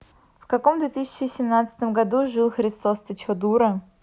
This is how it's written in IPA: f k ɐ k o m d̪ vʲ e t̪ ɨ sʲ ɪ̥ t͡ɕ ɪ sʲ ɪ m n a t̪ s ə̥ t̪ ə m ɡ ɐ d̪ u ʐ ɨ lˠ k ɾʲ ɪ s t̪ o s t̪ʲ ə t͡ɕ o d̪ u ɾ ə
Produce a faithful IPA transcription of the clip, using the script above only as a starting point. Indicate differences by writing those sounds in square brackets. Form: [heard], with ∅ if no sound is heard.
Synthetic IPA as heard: f k ɐ k o m d̪ vʲ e t̪ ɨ sʲ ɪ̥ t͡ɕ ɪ sʲ ɪ m n a t̪ s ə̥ t̪ ə m ɡ ɐ d̪ u ʐ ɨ lˠ [x] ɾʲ ɪ s t̪ o s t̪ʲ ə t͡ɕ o d̪ u ɾ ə

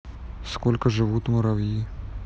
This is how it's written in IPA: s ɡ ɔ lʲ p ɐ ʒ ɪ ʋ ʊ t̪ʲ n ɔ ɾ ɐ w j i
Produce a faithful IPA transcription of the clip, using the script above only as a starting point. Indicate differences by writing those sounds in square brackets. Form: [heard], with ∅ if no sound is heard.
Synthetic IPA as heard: s [k] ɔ lʲ [k] ɐ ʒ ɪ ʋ [u] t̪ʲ [m] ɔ ɾ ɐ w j i

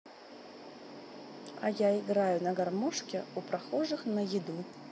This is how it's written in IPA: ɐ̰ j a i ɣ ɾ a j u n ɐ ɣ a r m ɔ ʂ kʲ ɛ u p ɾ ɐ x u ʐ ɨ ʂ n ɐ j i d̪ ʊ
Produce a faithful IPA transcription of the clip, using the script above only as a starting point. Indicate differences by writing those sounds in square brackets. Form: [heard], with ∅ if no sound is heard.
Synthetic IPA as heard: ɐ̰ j a i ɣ ɾ a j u n ɐ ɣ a r m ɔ ʂ kʲ ɛ u p ɾ [a] x [ɔ] ʐ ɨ [x] n ɐ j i d̪ [u]

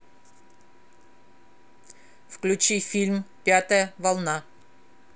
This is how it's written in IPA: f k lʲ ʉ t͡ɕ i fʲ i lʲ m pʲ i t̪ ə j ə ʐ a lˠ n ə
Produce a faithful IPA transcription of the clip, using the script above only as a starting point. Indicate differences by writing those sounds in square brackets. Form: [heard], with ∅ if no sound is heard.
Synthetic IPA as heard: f k lʲ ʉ t͡ɕ i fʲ i lʲ m pʲ [a] t̪ ə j ə [v] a lˠ n [a]

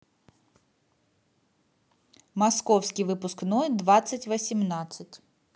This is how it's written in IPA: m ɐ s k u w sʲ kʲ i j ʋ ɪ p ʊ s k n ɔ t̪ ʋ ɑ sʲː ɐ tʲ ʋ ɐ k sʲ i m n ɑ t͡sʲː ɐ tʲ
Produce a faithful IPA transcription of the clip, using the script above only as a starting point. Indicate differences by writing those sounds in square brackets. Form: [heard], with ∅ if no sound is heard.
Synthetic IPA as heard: m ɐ s k [ɔ] w sʲ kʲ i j ʋ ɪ p ʊ s k n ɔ [d̪] ʋ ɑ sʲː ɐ tʲ ʋ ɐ [∅] sʲ i m n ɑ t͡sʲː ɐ tʲ

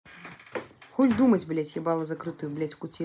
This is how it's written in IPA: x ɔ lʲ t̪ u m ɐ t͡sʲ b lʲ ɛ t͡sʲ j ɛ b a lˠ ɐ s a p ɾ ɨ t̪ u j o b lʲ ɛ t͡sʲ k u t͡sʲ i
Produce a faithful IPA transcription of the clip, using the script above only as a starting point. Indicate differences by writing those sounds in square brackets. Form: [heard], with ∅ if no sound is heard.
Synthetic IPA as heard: x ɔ lʲ [d̪] u m ɐ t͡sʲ b lʲ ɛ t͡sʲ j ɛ b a lˠ ɐ [z] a [k] ɾ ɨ t̪ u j [u] b lʲ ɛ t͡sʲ k u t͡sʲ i

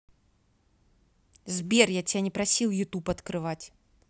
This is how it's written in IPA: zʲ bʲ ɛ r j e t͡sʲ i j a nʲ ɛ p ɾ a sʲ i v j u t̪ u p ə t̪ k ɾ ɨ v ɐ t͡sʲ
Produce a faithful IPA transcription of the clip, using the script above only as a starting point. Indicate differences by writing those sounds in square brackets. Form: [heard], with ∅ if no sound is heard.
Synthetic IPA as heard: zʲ bʲ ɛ r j [a] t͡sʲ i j a nʲ ɛ p ɾ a sʲ i [w] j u t̪ u p [ɐ] t̪ k ɾ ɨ v [a] t͡sʲ

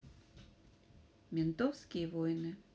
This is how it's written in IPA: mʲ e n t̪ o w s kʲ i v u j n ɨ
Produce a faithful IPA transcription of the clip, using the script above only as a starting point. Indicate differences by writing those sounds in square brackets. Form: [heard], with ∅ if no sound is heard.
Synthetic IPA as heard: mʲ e n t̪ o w s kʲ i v [o] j n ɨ

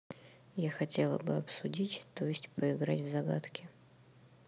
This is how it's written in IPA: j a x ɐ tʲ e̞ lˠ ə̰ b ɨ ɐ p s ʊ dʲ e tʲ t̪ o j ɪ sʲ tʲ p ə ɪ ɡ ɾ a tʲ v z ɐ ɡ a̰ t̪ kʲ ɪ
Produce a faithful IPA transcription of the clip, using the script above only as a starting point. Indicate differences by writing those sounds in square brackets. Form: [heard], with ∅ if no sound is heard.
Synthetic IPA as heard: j a x ɐ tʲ e̞ lˠ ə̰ b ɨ ɐ p s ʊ dʲ [i] tʲ t̪ o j ɪ sʲ tʲ p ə ɪ ɡ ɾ a tʲ v z ɐ ɡ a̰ t̪ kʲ ɪ

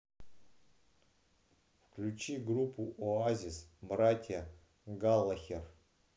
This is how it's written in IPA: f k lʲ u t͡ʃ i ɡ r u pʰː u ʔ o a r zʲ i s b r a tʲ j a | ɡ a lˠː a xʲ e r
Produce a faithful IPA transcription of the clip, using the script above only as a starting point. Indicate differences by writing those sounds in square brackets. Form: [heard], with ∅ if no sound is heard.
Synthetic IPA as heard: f k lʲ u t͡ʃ i ɡ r u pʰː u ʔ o a [∅] zʲ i s b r a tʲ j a | ɡ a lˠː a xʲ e r

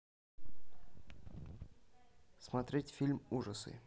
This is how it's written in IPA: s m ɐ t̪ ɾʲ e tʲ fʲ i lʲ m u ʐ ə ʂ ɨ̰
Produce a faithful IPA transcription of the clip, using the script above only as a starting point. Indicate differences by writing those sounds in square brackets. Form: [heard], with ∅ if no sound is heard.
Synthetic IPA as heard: s m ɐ t̪ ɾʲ e tʲ fʲ i lʲ m u ʐ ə [s] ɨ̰

